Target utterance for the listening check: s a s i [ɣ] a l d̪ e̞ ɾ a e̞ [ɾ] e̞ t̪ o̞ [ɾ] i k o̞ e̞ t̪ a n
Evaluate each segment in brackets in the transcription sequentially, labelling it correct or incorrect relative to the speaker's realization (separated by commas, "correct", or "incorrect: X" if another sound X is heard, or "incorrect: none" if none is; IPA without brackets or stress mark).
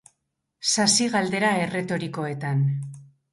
correct, incorrect: r, correct